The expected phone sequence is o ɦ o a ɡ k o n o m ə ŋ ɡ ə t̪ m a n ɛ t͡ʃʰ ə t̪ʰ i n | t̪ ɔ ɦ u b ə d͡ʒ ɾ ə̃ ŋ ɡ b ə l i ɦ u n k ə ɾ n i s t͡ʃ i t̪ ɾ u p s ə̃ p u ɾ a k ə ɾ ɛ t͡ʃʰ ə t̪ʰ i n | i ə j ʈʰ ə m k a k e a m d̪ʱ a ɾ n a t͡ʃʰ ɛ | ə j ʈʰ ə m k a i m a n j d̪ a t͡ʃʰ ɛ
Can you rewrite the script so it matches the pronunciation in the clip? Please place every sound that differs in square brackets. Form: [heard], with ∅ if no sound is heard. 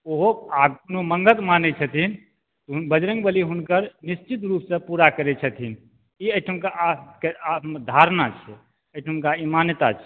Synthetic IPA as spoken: o ɦ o a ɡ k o n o m ə ŋ ɡ ə t̪ m a n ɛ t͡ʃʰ ə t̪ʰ i n | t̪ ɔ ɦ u b ə d͡ʒ ɾ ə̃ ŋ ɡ b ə l i ɦ u n k ə ɾ n i s t͡ʃ i t̪ ɾ u p s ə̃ p u ɾ a k ə ɾ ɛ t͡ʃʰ ə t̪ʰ i n | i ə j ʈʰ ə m k a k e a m d̪ʱ a ɾ n a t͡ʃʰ ɛ | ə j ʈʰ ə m k a i m a n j [t̪] a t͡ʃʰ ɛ